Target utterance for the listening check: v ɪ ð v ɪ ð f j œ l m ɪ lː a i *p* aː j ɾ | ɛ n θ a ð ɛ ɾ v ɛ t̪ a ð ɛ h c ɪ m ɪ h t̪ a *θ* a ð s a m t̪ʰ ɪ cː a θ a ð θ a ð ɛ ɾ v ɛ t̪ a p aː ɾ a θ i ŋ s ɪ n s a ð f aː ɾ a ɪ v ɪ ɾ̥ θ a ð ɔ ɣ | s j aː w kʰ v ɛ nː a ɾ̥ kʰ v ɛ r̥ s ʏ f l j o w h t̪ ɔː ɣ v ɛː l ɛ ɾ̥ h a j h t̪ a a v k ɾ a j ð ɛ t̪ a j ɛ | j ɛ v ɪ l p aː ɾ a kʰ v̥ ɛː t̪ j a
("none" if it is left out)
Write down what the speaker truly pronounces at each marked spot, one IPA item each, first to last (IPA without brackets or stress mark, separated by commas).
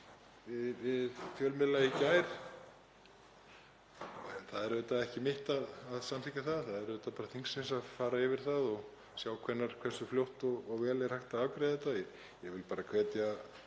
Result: c, ð